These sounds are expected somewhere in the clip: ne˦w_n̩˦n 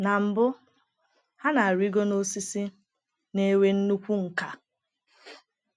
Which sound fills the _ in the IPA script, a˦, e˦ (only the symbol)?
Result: e˦